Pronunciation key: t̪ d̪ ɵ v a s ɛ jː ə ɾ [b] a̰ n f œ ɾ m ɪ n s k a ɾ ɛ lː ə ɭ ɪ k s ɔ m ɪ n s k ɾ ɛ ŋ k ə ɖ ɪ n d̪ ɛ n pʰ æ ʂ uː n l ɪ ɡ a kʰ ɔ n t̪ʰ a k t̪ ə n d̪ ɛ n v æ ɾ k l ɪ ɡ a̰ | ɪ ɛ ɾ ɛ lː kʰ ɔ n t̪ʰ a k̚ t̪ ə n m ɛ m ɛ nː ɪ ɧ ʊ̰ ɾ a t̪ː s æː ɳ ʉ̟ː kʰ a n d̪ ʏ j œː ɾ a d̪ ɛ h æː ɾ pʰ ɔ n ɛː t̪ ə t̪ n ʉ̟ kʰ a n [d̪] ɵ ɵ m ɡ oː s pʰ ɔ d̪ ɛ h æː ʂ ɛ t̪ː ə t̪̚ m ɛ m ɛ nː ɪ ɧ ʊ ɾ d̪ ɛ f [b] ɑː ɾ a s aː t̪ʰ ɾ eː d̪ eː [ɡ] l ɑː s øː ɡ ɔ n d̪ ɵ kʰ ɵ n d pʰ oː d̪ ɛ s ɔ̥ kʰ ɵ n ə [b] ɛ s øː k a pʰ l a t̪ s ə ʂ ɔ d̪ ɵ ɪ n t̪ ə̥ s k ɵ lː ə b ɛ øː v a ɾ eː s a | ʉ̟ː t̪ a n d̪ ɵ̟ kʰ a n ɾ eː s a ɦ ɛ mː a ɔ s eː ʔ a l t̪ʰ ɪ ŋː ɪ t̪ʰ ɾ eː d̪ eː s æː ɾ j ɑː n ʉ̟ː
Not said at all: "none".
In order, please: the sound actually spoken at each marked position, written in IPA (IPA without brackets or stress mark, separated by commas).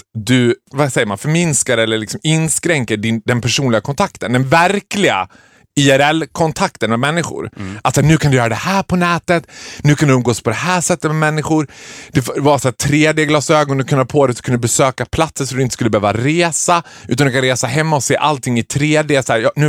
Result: m, d̪, v, ɡ, b